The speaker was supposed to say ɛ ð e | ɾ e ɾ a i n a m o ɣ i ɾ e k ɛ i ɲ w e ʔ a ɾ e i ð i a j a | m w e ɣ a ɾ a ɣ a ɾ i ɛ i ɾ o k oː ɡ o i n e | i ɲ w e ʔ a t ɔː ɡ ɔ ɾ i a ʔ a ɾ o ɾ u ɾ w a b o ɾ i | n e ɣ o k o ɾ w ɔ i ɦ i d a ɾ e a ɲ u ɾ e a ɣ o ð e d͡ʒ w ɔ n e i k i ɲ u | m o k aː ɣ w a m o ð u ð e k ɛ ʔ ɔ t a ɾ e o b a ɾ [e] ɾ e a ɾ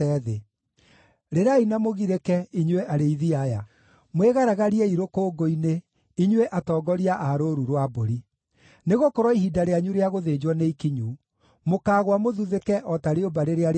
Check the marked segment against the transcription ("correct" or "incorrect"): correct